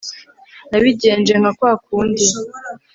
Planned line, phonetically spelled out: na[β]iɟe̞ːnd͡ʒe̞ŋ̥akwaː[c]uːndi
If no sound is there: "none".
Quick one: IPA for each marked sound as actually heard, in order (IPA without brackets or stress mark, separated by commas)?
β, k